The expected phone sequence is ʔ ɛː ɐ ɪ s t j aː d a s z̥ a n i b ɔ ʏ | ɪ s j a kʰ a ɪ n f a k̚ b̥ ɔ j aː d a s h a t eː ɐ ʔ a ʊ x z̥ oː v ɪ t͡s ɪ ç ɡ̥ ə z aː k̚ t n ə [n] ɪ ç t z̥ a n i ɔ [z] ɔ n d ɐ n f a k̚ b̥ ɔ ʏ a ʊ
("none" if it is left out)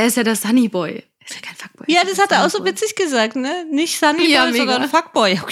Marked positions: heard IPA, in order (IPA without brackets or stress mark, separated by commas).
n, z